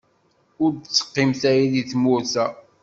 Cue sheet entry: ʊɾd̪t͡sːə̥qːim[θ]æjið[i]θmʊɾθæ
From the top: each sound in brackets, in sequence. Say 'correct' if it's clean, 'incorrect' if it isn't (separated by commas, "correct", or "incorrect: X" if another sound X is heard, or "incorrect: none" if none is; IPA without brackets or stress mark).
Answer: correct, correct